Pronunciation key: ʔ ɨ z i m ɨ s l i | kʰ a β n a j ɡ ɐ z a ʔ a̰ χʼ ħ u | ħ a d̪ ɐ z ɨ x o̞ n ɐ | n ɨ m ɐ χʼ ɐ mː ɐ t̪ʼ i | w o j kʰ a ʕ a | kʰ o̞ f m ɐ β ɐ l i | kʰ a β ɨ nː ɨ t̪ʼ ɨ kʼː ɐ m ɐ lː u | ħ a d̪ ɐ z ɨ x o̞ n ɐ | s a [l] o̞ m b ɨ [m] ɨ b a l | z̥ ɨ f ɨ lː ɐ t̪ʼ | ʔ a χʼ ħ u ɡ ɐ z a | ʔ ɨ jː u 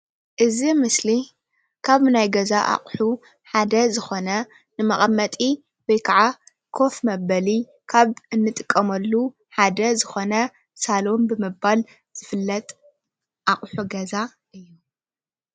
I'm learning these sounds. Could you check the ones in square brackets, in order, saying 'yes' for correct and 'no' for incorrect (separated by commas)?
yes, yes